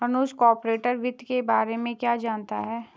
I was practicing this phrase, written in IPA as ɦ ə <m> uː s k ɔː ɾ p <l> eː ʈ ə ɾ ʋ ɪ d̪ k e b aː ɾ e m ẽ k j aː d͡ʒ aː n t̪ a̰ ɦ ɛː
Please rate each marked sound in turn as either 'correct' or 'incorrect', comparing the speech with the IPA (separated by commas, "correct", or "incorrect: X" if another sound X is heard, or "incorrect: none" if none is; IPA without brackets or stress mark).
incorrect: n, incorrect: ɾ